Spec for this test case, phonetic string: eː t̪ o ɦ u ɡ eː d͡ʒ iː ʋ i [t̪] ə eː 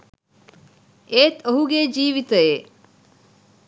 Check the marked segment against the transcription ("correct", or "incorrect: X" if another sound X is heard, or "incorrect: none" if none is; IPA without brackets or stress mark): correct